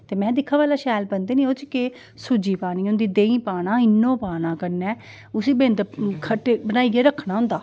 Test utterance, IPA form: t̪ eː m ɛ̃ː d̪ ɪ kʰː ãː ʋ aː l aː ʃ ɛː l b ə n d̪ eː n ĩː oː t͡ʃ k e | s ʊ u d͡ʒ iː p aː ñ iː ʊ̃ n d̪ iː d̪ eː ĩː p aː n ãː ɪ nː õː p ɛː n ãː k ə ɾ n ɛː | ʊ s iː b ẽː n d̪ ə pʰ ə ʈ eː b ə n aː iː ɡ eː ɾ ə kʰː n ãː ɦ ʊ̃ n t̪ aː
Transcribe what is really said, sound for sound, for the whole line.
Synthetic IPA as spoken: t̪ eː m ɛ̃ː d̪ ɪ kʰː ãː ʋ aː l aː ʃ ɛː l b ə n d̪ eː n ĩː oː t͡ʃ k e | s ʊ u d͡ʒ iː p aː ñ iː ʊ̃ n d̪ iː d̪ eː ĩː p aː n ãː ɪ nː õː p aː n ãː k ə ɾ n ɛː | ʊ s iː b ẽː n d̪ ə kʰ ə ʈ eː b ə n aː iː ɡ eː ɾ ə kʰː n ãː ɦ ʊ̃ n d̪ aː